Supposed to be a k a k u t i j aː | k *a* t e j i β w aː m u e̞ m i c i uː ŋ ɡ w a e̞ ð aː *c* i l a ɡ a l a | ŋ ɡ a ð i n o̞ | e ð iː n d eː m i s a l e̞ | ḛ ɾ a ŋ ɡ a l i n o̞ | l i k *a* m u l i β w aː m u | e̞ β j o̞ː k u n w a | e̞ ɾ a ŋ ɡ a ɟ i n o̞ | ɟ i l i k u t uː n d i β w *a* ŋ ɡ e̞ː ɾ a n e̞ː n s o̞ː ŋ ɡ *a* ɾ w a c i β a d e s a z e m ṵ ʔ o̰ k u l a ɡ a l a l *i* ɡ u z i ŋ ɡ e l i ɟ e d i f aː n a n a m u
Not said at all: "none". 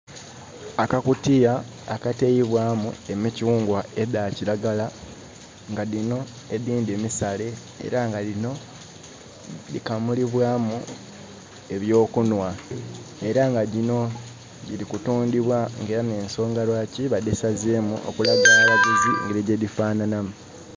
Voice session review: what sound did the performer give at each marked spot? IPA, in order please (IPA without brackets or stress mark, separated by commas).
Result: a, c, a, a, a, a